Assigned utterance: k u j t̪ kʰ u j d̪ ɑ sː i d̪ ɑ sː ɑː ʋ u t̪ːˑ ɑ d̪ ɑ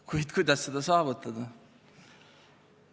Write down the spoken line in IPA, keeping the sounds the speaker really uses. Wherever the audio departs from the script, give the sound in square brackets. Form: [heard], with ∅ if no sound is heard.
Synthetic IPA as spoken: k u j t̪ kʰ u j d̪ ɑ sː [e] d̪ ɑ [s] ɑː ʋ u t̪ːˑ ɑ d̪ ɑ